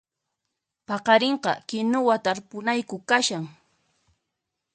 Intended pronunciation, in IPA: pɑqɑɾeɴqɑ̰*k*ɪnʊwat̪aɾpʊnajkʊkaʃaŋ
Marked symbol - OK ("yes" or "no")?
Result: yes